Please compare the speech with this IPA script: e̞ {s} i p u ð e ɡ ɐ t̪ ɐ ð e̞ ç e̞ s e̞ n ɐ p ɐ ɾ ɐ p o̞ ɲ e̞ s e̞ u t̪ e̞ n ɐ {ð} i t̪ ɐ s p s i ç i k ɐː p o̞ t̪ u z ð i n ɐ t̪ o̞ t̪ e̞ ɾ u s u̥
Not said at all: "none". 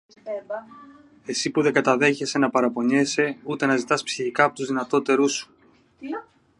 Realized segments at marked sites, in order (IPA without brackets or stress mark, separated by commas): s, z